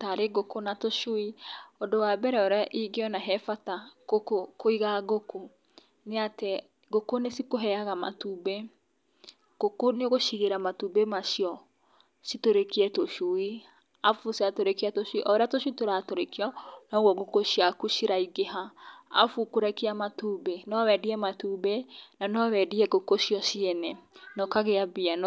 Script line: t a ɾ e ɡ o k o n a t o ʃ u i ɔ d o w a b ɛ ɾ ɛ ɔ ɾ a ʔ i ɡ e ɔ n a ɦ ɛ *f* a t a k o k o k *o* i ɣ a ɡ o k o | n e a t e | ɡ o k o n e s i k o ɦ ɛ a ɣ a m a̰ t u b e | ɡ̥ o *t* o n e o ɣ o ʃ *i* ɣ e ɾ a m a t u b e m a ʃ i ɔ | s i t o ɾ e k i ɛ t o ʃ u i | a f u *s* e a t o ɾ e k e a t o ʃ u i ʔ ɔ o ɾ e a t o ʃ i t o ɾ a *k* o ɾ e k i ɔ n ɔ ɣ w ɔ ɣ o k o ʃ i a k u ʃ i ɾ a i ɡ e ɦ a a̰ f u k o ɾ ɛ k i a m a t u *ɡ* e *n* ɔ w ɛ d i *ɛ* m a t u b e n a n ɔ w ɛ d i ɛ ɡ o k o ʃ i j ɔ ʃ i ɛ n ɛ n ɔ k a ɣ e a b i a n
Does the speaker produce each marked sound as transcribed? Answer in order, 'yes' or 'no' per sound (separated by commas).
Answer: yes, yes, no, yes, yes, no, no, yes, yes